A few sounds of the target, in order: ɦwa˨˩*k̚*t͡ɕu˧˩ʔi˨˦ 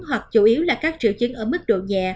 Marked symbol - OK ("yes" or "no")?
yes